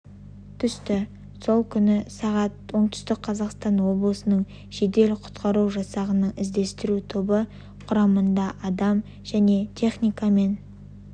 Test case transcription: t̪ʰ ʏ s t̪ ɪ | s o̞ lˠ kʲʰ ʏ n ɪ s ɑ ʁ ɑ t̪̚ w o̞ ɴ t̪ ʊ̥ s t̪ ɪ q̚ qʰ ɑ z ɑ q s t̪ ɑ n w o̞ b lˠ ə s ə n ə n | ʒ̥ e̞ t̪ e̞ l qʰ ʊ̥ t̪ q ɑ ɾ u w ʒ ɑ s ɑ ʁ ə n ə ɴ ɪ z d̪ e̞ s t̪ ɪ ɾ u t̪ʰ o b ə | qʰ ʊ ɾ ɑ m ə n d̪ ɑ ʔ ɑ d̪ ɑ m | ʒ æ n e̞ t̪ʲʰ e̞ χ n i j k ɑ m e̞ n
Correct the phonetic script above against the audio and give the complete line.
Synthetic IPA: t̪ʰ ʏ s t̪ ɪ | s o̞ lˠ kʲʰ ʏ n ɪ s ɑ ʁ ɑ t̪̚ w o̞ ɴ t̪ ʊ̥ s t̪ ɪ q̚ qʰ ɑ z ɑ q s t̪ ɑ n w o̞ b lˠ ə s ə n ə ɴ | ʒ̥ e̞ d̪ e̞ l qʰ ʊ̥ t̪ q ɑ ɾ u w ʒ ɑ s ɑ ʁ ə n ə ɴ ɪ z d̪ e̞ s t̪ ɪ ɾ u t̪ʰ o b ə | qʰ ʊ ɾ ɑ m ə n d̪ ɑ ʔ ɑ d̪ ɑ m | ʒ æ n e̞ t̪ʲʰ e̞ χ n i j k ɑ m e̞ n